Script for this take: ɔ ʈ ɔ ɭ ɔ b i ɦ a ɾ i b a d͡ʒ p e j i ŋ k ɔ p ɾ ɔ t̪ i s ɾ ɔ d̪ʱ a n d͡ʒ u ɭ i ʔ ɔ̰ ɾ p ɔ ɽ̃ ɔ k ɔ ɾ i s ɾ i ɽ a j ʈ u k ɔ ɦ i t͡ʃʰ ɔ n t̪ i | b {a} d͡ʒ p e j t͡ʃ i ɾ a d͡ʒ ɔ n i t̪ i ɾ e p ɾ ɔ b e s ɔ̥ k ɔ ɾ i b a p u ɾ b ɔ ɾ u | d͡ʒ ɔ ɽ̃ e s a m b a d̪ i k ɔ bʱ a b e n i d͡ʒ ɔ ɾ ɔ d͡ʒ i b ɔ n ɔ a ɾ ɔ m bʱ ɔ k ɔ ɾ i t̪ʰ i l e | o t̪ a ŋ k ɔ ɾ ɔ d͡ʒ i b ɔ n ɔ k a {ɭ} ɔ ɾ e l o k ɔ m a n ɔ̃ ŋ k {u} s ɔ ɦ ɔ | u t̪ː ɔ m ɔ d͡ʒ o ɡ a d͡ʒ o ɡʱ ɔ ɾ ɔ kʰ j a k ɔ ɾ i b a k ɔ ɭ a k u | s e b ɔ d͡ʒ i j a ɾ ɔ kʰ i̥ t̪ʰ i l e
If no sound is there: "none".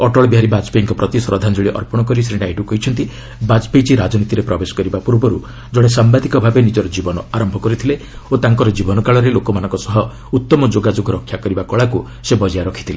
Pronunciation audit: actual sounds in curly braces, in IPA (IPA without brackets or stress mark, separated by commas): a, ɭ, ɔ